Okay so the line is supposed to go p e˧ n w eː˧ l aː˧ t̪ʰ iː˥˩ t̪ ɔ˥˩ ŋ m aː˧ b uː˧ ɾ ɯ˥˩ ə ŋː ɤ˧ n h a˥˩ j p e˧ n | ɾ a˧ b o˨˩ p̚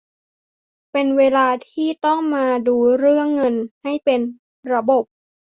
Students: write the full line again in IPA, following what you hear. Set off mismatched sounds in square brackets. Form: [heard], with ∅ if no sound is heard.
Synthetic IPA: p e˧ n w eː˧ l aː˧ t̪ʰ iː˥˩ t̪ ɔ˥˩ ŋ m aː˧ [d] uː˧ ɾ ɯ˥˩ ə ŋː ɤ˧ n h a˥˩ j p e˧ n | ɾ a˧ b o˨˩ p̚

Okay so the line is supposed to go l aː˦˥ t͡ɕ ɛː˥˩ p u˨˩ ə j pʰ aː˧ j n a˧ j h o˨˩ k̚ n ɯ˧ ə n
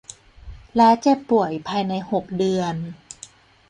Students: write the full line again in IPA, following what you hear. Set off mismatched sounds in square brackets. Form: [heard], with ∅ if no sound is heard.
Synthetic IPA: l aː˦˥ t͡ɕ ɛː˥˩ p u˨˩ ə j pʰ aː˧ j n a˧ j h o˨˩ k̚ [d] ɯ˧ ə n

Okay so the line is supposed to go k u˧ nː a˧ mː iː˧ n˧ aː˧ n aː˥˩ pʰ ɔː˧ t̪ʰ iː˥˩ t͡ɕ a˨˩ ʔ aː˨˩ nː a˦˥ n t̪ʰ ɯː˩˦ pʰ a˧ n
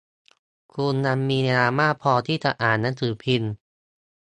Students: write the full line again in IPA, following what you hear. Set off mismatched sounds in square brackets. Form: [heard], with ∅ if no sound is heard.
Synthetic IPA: [kʰ] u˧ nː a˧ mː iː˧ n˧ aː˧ [m] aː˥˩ pʰ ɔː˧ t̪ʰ iː˥˩ t͡ɕ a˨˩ ʔ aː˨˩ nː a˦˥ n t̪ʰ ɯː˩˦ pʰ [i˧] n

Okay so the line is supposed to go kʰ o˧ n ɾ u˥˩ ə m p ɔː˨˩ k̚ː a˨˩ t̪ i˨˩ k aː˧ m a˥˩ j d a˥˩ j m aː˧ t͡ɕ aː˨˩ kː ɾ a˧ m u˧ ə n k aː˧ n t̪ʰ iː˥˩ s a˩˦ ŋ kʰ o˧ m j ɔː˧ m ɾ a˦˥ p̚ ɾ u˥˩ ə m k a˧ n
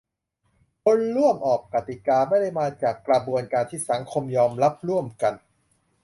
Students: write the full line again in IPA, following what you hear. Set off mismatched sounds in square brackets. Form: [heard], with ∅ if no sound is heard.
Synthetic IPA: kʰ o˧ n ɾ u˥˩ ə m [ʔ] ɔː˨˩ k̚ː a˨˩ t̪ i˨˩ k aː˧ m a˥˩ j d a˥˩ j m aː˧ t͡ɕ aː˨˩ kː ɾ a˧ [b] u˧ ə n k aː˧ n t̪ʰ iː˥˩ s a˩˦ ŋ kʰ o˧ m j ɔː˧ m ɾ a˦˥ p̚ ɾ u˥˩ ə m k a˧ n

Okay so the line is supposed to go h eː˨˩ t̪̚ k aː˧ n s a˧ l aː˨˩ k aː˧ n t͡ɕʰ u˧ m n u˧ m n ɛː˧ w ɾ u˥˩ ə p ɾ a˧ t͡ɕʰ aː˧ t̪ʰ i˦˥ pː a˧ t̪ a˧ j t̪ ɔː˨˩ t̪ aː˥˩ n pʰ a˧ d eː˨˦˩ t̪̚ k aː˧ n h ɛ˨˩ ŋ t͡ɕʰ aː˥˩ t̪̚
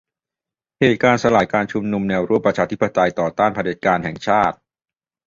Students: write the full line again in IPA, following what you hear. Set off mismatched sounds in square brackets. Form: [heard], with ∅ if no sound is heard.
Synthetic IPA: h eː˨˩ t̪̚ k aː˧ n s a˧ l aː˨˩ k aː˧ n t͡ɕʰ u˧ m n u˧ m n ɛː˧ w ɾ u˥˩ ə p ɾ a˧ t͡ɕʰ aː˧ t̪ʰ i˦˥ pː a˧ t̪ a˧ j t̪ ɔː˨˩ t̪ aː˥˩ n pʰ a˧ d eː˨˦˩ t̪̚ k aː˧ n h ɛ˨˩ ŋ t͡ɕʰ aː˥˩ t̪̚

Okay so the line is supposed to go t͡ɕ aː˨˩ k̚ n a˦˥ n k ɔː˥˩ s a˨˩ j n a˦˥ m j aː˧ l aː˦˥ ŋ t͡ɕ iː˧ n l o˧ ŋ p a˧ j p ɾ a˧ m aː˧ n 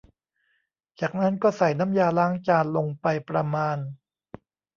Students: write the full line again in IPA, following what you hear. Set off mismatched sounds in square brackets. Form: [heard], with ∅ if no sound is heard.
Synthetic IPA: t͡ɕ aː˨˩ k̚ n a˦˥ n k ɔː˥˩ s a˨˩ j n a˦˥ m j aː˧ l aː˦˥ ŋ t͡ɕ [aː˧] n l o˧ ŋ p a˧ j p ɾ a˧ m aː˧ n

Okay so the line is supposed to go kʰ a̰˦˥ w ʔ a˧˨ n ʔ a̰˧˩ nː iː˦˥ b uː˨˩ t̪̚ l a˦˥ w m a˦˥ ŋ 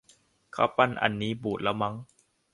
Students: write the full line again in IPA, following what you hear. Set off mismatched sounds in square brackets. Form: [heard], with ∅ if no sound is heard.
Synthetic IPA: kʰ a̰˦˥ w [p] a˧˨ n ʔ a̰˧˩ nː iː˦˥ b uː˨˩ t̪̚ l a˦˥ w m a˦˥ ŋ

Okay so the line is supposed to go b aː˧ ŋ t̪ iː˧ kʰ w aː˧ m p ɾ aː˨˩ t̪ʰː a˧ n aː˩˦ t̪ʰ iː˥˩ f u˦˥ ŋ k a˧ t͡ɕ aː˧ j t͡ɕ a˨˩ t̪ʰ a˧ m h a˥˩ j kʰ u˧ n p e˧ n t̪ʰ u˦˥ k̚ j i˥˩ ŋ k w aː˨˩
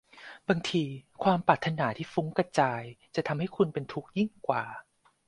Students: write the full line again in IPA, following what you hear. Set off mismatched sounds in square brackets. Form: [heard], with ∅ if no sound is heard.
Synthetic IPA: b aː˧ ŋ [t̪ʰ] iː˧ kʰ w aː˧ m p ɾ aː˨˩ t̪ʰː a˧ n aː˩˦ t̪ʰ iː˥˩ f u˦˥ ŋ k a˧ t͡ɕ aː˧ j t͡ɕ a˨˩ t̪ʰ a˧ m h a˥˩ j kʰ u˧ n p e˧ n t̪ʰ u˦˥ k̚ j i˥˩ ŋ k w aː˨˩

